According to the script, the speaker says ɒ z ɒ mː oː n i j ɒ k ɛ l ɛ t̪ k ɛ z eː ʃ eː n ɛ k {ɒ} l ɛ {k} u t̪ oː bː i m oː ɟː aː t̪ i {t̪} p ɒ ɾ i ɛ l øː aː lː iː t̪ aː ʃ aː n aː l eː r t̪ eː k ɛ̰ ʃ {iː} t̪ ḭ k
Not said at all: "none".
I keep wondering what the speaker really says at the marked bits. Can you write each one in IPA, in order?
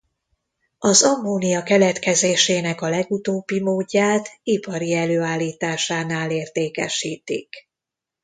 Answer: ɒ, ɡ, none, iː

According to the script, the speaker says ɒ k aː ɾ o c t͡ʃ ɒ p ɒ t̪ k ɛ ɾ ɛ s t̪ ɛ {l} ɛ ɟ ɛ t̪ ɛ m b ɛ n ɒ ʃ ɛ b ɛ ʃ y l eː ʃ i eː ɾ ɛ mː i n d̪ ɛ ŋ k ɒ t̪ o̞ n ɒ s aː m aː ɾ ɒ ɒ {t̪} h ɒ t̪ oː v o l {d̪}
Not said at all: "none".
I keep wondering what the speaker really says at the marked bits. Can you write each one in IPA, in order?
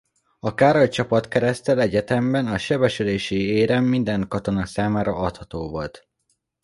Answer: l, t̪, t̪

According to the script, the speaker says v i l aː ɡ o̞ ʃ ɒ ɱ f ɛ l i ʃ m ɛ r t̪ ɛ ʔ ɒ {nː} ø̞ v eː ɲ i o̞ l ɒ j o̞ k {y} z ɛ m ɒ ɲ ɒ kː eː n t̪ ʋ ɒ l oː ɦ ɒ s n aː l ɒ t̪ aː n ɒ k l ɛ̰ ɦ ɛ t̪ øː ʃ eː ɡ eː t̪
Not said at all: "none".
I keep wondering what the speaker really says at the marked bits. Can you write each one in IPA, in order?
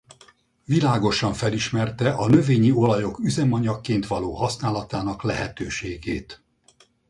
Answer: n, y

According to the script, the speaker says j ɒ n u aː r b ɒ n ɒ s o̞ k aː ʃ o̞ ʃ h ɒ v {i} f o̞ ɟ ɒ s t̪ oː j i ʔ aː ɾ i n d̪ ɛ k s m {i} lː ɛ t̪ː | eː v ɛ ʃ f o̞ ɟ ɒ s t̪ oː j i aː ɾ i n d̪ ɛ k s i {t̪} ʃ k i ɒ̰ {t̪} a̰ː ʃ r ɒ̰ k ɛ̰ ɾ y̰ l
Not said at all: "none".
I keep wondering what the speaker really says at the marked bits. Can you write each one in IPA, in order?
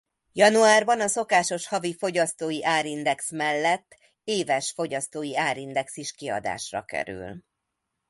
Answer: i, ɛ, none, d̪

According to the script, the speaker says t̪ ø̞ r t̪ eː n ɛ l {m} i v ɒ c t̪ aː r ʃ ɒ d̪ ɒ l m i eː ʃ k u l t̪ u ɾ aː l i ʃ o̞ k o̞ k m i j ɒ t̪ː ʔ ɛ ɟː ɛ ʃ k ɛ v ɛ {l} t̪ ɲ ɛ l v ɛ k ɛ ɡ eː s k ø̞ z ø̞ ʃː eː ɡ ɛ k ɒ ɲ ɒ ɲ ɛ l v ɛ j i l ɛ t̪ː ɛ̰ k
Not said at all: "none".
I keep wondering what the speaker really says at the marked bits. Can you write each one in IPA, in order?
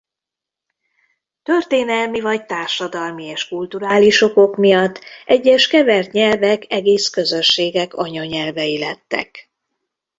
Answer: m, r

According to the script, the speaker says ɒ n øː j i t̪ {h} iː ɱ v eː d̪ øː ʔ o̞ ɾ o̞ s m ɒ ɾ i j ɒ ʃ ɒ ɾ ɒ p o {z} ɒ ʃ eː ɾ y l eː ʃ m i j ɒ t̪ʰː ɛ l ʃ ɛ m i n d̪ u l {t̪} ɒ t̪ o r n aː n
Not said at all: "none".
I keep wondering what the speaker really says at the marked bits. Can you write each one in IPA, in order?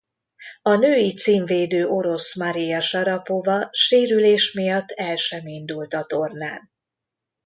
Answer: s, v, t̪

